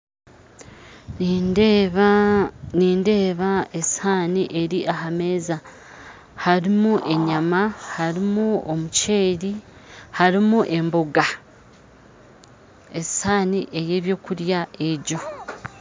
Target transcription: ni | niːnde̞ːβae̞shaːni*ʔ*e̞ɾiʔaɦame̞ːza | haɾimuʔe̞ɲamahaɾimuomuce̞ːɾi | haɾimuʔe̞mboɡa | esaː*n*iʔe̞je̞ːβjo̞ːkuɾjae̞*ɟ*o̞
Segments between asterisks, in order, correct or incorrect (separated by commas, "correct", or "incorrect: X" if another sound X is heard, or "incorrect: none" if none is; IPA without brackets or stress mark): correct, correct, correct